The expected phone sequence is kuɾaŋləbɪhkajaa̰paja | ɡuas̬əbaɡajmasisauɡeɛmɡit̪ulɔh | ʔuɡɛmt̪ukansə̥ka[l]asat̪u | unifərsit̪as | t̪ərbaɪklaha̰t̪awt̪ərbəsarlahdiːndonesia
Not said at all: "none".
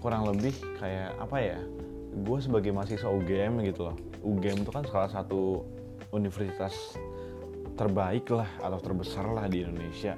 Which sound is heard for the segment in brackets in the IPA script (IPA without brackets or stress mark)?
l